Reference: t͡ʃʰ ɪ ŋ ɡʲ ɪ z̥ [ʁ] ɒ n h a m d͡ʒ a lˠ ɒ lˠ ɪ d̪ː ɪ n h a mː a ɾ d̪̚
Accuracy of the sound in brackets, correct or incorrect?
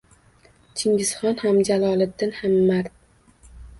incorrect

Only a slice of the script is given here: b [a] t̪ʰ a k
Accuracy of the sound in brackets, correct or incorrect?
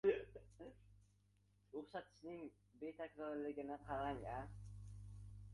incorrect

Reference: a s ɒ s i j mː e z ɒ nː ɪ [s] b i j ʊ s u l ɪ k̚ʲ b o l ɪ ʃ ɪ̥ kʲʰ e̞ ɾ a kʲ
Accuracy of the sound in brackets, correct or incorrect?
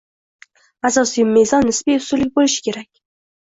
correct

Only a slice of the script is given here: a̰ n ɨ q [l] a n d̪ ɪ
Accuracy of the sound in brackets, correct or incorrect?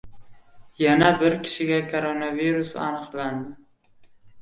correct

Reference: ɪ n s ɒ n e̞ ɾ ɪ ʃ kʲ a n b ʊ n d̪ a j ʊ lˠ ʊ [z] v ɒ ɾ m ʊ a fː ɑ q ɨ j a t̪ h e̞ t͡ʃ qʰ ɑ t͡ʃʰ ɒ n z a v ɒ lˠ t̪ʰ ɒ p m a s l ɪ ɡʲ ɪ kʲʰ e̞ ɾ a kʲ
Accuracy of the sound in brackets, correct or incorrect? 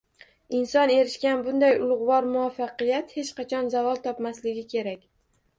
incorrect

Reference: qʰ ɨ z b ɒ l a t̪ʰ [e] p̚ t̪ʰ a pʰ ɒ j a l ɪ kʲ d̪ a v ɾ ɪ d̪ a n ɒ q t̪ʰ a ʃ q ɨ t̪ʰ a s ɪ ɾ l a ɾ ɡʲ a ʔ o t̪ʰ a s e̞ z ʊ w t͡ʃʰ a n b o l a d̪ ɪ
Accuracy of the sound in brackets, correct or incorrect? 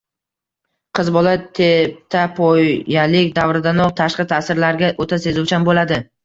correct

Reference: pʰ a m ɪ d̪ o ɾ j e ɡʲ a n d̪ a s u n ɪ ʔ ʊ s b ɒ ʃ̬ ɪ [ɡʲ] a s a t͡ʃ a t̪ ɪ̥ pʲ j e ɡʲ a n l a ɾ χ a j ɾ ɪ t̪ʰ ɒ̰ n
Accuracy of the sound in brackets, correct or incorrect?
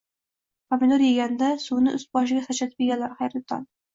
correct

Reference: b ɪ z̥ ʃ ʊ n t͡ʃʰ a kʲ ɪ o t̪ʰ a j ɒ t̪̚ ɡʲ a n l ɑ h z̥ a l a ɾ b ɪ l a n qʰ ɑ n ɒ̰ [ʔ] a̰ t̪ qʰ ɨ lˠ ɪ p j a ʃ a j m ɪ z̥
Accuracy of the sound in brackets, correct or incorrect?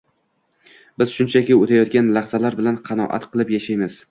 correct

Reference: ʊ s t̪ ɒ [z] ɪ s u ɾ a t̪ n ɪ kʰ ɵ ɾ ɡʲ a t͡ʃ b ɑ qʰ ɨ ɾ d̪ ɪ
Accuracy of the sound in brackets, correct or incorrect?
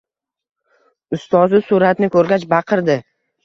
correct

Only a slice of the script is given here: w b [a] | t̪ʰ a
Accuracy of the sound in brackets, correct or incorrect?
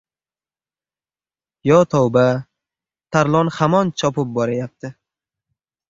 correct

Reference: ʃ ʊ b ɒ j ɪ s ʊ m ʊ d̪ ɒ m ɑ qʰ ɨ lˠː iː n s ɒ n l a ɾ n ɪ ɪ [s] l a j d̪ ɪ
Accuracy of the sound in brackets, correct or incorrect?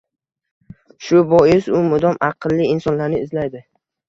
incorrect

